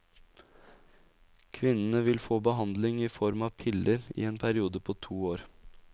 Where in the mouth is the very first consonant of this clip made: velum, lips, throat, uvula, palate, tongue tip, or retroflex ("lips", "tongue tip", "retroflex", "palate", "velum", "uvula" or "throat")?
velum